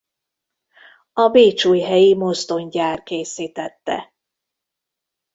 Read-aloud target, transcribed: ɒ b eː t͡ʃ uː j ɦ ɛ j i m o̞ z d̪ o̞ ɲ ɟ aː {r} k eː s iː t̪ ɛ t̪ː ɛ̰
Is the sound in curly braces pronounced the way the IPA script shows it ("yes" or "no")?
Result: yes